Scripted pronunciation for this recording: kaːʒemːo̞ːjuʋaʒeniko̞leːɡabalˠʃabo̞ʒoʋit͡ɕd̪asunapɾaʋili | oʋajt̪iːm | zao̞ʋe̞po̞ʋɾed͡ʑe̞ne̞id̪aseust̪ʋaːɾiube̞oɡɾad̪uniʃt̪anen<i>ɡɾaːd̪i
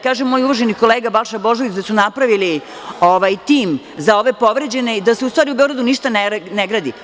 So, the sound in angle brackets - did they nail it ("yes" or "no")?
no